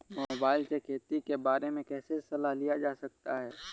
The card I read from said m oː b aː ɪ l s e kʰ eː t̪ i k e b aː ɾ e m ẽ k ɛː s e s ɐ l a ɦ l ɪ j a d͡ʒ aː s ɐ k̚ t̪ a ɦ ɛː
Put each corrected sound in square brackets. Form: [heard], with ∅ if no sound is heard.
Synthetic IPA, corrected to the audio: m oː b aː ɪ l s e kʰ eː t̪ i k e b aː ɾ e m ẽ k ɛː s e s ɐ l a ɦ l [i] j a d͡ʒ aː s ɐ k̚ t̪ a ɦ ɛː

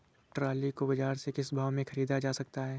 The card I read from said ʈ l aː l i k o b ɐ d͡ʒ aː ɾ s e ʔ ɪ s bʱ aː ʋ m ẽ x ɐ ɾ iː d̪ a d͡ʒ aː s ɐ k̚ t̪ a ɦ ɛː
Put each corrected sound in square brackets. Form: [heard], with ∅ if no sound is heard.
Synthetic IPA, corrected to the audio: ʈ [ɾ] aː l i k o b ɐ d͡ʒ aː ɾ s e [k] ɪ s bʱ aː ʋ m ẽ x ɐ ɾ iː d̪ a d͡ʒ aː s ɐ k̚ t̪ a ɦ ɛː

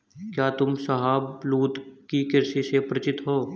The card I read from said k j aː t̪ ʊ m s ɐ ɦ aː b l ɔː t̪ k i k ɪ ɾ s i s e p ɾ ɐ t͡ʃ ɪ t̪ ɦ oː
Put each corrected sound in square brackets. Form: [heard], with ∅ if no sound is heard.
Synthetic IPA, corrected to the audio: k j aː t̪ ʊ m s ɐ ɦ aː b l [uː] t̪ k i k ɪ ɾ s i s e p ɾ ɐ t͡ʃ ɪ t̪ ɦ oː

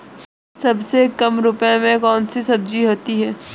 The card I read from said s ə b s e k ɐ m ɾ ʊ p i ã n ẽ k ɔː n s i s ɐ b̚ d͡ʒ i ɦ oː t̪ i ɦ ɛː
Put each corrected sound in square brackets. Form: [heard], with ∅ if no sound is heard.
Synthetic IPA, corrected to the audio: s [ɐ] b s e k ɐ m ɾ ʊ p [j] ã [m] ẽ k ɔː n s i s ɐ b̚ d͡ʒ i ɦ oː t̪ i ɦ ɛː

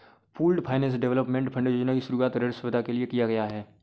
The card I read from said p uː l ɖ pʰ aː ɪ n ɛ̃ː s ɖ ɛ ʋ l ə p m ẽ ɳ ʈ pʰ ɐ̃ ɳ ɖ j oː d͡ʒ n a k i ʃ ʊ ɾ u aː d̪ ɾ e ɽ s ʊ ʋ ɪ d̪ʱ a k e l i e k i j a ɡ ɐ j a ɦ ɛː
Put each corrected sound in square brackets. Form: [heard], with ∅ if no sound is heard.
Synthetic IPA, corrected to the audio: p uː l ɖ pʰ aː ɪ n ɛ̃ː s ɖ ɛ ʋ l ə p m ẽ ɳ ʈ pʰ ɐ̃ ɳ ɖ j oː d͡ʒ n a k i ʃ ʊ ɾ u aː [t̪] ɾ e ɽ s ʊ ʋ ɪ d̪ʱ a k e l i e k i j a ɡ ɐ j a ɦ ɛː

